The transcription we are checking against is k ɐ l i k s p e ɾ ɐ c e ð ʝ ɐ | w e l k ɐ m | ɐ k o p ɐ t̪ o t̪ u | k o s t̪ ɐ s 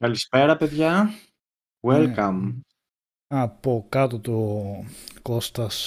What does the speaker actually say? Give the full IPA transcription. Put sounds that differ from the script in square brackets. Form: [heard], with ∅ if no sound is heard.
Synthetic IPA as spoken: k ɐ l i [∅] s p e ɾ ɐ [p] e ð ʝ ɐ | w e l k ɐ m | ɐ [p] o [k] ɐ t̪ o t̪ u | k o s t̪ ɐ s